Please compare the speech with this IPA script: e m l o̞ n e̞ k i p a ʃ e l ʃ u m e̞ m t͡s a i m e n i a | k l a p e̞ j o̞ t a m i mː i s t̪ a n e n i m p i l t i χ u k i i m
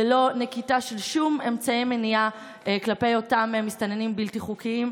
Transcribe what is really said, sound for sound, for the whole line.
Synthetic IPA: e l o̞ n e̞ k i t a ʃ e l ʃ u m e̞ m t͡s a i m e n i a | k l a p e̞ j o̞ t a m e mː i s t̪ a n e n i m b i l t i χ u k i i m